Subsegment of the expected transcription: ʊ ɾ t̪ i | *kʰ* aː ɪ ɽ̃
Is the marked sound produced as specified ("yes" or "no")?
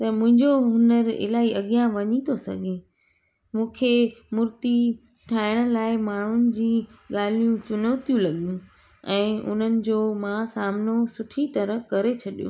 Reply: no